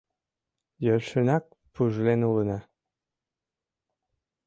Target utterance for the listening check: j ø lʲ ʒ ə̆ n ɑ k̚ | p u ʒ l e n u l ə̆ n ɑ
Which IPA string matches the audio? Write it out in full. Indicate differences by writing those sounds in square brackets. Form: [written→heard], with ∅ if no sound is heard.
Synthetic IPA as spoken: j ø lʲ [ʒ→ʃ] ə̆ n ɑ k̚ | p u ʒ l e n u l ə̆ n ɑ